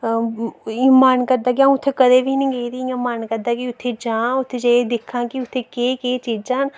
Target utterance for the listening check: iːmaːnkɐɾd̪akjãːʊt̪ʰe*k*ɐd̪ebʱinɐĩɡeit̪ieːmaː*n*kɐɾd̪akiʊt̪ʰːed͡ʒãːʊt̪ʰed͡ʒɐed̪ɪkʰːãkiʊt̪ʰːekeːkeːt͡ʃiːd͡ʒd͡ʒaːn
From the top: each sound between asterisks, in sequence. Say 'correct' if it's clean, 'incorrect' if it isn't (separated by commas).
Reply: correct, correct